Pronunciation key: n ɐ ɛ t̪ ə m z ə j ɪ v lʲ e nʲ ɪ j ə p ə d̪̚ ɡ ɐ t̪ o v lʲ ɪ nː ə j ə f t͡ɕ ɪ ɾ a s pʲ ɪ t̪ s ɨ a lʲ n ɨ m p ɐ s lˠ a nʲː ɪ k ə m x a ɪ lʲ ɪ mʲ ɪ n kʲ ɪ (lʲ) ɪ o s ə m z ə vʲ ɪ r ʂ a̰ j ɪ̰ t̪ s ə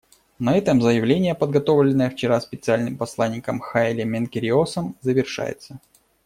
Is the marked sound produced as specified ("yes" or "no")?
no